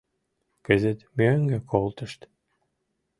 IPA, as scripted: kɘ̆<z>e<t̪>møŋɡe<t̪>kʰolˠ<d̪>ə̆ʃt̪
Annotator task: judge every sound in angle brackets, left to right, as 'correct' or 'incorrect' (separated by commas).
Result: correct, correct, incorrect, incorrect